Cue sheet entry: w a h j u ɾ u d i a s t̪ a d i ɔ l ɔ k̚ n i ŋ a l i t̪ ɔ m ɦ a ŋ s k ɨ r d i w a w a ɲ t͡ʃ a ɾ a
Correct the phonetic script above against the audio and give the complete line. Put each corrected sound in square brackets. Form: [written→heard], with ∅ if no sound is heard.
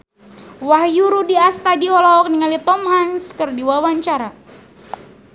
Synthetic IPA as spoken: w a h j u ɾ u d i a s t̪ a d i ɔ l ɔ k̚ n i ŋ a l i t̪ ɔ m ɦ a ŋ s k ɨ r d i w a w a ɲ t͡ʃ a ɾ a